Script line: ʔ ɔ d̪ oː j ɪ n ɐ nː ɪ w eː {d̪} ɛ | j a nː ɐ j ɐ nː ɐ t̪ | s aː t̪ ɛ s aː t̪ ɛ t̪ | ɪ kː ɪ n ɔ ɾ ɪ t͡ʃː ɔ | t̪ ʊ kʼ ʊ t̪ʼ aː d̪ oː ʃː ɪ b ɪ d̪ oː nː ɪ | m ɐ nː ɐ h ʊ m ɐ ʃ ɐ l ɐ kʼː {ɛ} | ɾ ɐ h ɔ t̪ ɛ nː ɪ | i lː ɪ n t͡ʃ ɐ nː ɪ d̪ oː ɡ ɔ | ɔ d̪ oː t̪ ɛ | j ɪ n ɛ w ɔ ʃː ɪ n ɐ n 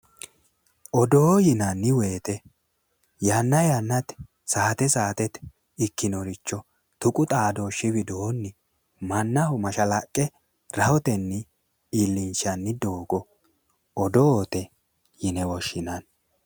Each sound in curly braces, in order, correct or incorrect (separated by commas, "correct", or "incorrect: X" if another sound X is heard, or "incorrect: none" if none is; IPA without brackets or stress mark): incorrect: t̪, correct